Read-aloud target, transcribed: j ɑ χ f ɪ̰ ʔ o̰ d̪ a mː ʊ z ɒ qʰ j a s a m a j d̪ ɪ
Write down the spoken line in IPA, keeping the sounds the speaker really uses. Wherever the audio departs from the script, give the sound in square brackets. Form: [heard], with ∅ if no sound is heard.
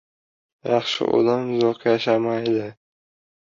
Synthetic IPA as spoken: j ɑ χ [ʃ] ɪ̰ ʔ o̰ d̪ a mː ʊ z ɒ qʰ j a [ʃ] a m a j d̪ ɪ

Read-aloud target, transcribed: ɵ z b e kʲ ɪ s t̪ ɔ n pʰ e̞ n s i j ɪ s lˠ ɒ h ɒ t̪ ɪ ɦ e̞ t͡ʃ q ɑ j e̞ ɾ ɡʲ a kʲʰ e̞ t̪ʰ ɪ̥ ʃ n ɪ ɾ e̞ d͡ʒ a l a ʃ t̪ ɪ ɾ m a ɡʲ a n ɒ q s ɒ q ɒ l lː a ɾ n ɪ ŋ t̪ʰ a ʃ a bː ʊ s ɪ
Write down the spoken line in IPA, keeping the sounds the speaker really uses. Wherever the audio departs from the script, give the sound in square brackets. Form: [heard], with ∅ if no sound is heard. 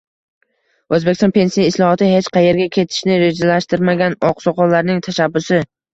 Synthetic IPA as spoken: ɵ z b e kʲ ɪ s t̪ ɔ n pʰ e̞ n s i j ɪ s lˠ ɒ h ɒ t̪ ɪ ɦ e̞ t͡ʃ q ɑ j e̞ ɾ ɡʲ a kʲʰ e̞ t̪ʰ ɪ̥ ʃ n ɪ ɾ e̞ d͡ʒ a l a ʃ t̪ ɪ ɾ m a ɡʲ a n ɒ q s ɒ q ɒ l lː a ɾ n ɪ ŋ t̪ʰ a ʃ a bː ʊ s ɪ

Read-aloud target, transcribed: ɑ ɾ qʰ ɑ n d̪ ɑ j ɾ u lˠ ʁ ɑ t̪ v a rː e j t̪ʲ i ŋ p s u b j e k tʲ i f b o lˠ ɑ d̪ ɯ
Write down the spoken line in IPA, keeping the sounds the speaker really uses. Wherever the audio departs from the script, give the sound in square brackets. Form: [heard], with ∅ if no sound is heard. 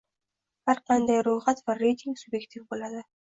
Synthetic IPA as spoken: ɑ ɾ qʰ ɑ n d̪ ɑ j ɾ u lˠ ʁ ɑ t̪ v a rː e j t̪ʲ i ŋ [k] s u b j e k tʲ i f b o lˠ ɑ d̪ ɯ

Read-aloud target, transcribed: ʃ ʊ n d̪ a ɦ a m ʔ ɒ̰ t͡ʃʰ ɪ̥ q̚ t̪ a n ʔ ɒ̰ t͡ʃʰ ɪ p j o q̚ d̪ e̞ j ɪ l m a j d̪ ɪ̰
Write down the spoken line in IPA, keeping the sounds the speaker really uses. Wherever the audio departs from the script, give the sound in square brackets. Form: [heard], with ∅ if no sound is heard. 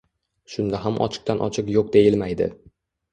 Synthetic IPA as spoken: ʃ ʊ n d̪ a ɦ a m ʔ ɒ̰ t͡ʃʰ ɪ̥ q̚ t̪ a n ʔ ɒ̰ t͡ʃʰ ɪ [q] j o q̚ d̪ e̞ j ɪ l m a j d̪ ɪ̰

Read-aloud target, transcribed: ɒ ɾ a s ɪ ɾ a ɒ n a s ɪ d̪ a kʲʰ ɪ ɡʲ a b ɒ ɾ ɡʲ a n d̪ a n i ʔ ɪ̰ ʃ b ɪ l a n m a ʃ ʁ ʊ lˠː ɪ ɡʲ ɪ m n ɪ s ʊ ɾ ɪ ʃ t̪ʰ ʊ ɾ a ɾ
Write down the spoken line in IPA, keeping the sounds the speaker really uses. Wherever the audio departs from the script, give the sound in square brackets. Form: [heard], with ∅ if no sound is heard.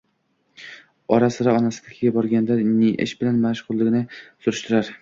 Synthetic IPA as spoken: ɒ ɾ a s ɪ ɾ a ɒ n a s ɪ d̪ a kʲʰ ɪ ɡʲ a b ɒ ɾ ɡʲ a n d̪ a n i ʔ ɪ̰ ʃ b ɪ l a n m a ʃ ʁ ʊ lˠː ɪ ɡʲ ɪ [∅] n ɪ s ʊ ɾ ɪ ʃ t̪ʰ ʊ ɾ a ɾ

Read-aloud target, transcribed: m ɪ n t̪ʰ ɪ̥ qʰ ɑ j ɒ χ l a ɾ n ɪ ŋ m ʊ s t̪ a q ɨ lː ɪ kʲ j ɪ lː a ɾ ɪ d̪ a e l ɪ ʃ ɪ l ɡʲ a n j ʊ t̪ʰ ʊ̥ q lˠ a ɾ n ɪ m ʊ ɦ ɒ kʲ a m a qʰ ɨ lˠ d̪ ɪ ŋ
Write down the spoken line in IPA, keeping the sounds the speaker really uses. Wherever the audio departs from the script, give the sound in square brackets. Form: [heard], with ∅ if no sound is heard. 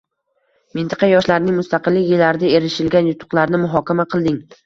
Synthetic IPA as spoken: m ɪ n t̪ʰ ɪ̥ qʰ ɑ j ɒ [ʃ] l a ɾ n ɪ ŋ m ʊ s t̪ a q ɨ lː ɪ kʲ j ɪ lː a ɾ ɪ d̪ a e [ɾ] ɪ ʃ ɪ l ɡʲ a n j ʊ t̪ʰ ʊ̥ q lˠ a ɾ n ɪ m ʊ ɦ ɒ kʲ a m a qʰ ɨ lˠ d̪ ɪ ŋ

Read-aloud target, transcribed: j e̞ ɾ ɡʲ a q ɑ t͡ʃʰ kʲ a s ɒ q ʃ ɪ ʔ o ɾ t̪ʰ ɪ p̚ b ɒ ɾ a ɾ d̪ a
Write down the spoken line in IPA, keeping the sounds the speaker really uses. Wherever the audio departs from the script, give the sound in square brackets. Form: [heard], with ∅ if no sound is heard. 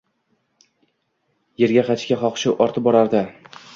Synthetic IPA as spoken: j e̞ ɾ ɡʲ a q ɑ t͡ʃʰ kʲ a [χ] ɒ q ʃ ɪ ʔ [ɒ] ɾ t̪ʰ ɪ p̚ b ɒ ɾ a ɾ d̪ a

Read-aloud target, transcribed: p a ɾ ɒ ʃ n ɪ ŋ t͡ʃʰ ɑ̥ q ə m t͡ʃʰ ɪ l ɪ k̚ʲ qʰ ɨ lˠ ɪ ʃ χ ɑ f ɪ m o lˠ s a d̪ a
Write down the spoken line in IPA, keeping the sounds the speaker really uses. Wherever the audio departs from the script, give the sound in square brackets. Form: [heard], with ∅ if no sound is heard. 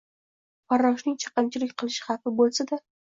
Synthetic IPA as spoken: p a ɾ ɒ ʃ n ɪ ŋ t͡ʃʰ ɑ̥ q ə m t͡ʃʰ ɪ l ɪ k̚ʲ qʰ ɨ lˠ ɪ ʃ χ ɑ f ɪ [b] o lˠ s a d̪ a

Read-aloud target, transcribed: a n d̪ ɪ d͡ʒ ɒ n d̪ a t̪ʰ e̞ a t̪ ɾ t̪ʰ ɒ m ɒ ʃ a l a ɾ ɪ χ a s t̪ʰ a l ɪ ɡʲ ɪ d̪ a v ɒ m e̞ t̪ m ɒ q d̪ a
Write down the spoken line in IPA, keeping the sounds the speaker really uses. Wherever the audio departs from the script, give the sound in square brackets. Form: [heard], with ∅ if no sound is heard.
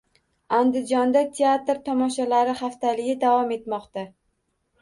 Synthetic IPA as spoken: a n d̪ ɪ d͡ʒ ɒ n d̪ a t̪ʰ e̞ a t̪ ɾ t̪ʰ ɒ m ɒ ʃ a l a ɾ ɪ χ a [f] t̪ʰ a l ɪ ɡʲ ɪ d̪ a v ɒ m e̞ t̪ m ɒ q [t̪] a

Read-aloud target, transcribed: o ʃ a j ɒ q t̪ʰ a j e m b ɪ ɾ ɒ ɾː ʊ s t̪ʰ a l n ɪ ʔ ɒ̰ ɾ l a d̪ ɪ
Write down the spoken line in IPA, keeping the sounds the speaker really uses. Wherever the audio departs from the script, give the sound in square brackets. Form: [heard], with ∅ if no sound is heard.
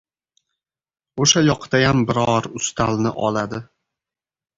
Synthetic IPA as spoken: o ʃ a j ɒ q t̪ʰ a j [a] m b ɪ ɾ ɒ [ɾ] ʊ s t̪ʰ a l n ɪ ʔ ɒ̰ [∅] l a d̪ ɪ

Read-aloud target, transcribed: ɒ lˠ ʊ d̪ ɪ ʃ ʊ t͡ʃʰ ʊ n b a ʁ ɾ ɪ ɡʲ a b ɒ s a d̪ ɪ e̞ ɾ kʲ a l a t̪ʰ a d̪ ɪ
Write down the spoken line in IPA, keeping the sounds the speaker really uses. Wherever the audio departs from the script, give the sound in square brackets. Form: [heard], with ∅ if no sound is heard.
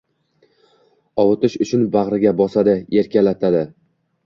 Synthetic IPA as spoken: ɒ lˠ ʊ [t̪] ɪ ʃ ʊ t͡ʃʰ ʊ n b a ʁ ɾ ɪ ɡʲ a b ɒ s a d̪ ɪ e̞ ɾ kʲ a l a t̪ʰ a d̪ ɪ

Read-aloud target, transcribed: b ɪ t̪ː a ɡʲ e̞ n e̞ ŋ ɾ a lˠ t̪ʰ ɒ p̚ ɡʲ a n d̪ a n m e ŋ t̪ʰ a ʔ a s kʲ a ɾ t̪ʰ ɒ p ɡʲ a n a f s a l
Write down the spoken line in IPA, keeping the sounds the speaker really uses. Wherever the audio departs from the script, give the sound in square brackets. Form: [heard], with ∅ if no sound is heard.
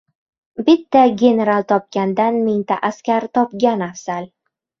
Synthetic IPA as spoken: b ɪ t̪ː a ɡʲ e̞ n e̞ [∅] ɾ a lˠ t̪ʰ ɒ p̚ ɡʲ a n d̪ a n m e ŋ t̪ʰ a ʔ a s kʲ a ɾ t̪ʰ ɒ p ɡʲ a n a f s a l

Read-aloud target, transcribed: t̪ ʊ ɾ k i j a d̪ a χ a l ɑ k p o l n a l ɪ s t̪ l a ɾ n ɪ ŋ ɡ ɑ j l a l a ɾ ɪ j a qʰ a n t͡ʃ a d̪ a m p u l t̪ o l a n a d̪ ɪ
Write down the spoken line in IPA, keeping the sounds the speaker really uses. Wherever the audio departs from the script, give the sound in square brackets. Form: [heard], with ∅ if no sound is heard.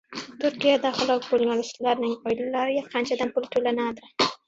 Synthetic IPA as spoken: t̪ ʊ ɾ k i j a d̪ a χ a l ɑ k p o l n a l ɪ s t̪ l a ɾ n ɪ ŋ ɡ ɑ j l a l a ɾ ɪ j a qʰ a n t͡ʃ a d̪ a m p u l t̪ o l a n a d̪ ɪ

